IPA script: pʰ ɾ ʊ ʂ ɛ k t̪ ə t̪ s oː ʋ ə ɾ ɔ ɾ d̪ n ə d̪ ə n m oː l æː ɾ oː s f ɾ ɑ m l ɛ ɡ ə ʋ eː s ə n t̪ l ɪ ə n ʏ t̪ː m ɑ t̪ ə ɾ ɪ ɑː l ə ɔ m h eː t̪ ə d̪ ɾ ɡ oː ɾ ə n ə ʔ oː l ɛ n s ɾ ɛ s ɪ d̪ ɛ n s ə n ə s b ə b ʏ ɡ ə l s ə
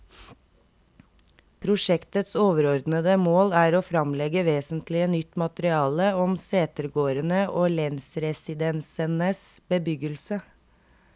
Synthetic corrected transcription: pʰ ɾ ʊ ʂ ɛ k t̪ ə t̪ s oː ʋ ə ɾ ɔ ɾ d̪ n ə d̪ ə m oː l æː ɾ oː f ɾ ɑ m l ɛ ɡ ə ʋ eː s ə n t̪ l ɪ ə n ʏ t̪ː m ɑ t̪ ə ɾ ɪ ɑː l ə ɔ m s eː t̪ ə ɾ ɡ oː ɾ ə n ə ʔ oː l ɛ n s ɾ ɛ s ɪ d̪ ɛ n s ə n ə s b ə b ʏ ɡ ə l s ə